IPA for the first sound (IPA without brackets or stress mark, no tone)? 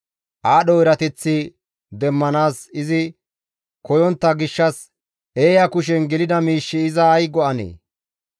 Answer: ʔ